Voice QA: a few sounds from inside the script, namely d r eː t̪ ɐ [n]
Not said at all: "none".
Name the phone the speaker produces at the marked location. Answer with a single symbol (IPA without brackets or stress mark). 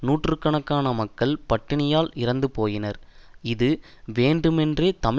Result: m